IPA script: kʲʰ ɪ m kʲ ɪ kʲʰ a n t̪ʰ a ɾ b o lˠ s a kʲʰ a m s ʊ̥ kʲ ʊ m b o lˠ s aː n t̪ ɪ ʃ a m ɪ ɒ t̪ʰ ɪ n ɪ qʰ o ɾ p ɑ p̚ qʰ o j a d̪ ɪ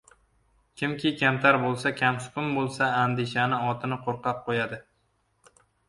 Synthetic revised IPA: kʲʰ ɪ m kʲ ɪ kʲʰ a m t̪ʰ a ɾ b o lˠ s a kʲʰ a m s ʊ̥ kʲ ʊ m b o lˠ s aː n d̪ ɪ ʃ a n ɪ ɒ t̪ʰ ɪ n ɪ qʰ o ɾ q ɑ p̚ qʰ o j a d̪ ɪ